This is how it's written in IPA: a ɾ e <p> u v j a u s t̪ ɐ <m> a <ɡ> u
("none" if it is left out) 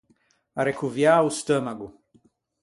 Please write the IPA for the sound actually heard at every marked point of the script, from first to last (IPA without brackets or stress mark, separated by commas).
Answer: k, m, ɡ